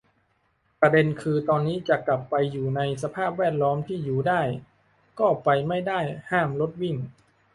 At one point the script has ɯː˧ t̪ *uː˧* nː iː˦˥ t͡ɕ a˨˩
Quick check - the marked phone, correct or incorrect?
incorrect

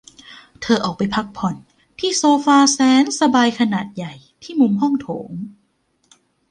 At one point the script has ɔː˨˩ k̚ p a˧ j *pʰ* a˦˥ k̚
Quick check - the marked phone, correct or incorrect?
correct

